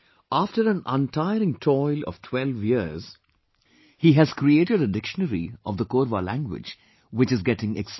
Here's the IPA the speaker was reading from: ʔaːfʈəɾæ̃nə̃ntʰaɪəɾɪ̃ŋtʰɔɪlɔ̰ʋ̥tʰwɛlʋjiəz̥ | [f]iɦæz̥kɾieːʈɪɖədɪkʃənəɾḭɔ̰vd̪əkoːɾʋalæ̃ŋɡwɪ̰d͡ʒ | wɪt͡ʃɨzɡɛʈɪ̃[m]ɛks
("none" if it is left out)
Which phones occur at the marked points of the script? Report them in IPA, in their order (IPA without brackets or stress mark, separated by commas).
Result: h, ŋ